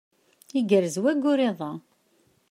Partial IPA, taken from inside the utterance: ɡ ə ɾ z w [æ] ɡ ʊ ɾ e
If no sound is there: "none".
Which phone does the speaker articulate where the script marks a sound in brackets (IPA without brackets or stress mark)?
æ